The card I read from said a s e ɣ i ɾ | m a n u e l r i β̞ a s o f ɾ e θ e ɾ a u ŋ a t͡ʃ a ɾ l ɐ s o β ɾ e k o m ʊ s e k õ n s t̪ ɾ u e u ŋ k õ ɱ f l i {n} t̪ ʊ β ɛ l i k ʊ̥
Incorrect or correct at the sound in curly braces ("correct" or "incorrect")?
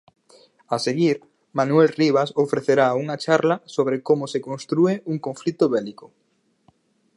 incorrect